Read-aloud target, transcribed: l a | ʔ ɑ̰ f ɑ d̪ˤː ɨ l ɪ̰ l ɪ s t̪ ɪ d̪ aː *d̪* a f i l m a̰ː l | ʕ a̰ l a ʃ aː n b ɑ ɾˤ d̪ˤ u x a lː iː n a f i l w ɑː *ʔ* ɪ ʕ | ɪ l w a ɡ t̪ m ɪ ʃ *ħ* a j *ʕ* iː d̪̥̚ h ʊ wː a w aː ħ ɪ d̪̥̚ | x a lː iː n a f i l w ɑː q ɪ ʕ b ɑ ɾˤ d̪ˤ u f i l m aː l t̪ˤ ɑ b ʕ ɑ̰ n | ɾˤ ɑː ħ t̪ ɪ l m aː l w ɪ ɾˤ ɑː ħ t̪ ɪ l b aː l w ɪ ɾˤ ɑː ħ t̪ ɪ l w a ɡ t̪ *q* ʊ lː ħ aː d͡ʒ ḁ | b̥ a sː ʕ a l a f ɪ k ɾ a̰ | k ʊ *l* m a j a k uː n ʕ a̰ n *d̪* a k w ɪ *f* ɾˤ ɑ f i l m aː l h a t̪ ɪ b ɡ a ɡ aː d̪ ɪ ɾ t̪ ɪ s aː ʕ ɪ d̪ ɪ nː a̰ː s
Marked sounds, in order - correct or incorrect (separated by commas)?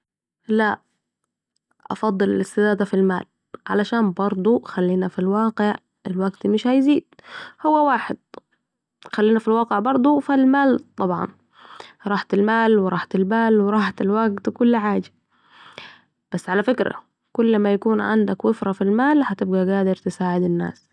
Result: correct, incorrect, incorrect, incorrect, incorrect, incorrect, correct, correct